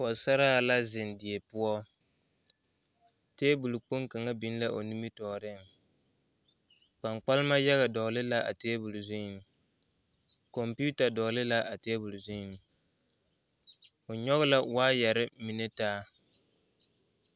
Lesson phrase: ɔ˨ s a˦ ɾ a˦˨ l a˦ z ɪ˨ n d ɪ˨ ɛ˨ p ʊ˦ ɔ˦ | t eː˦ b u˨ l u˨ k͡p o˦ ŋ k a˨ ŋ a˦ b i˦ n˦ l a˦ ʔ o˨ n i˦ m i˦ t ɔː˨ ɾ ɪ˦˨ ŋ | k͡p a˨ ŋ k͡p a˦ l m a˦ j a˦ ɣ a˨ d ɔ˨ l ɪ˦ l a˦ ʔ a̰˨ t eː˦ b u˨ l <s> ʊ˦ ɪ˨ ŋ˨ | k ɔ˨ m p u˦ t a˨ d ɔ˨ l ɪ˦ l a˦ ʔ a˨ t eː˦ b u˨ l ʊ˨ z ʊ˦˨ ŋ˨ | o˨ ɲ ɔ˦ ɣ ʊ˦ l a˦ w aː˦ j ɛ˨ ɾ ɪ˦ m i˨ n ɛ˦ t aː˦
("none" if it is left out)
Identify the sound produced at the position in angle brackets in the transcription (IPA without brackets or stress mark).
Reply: z